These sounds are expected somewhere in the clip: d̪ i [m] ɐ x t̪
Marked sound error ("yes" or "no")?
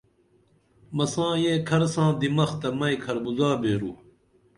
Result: no